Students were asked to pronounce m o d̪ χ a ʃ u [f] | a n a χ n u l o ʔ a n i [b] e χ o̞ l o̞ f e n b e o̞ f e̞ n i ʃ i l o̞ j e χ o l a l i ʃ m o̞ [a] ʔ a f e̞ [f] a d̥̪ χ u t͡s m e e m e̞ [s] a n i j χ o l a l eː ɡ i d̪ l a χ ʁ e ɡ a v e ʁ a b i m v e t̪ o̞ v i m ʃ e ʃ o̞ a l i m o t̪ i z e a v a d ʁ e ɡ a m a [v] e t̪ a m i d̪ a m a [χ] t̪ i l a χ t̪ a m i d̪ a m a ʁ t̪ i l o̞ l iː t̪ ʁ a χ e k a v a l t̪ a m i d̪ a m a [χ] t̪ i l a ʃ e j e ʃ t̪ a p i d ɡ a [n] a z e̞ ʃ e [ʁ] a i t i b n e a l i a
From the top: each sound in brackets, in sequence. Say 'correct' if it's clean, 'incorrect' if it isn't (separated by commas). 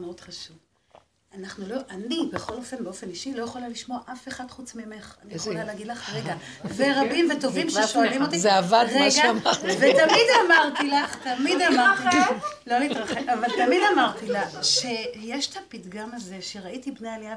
incorrect, correct, correct, incorrect, incorrect, correct, incorrect, incorrect, incorrect, correct